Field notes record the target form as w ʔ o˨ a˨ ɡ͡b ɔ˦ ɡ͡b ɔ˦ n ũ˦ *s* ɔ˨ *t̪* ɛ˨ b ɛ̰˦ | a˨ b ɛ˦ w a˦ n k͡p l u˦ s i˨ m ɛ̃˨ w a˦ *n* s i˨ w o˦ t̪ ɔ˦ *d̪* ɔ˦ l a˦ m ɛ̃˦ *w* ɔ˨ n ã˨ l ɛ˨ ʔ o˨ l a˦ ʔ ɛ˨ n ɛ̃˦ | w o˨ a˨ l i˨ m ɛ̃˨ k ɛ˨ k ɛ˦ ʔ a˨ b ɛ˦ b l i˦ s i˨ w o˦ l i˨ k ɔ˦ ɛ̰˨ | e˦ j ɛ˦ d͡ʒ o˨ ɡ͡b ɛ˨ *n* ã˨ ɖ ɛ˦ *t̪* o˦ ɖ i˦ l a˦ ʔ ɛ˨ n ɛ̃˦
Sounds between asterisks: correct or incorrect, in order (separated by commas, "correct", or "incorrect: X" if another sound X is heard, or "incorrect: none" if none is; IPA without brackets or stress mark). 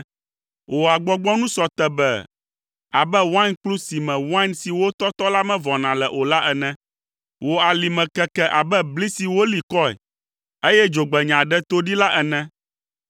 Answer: correct, correct, correct, incorrect: t̪, incorrect: v, incorrect: ɲ, correct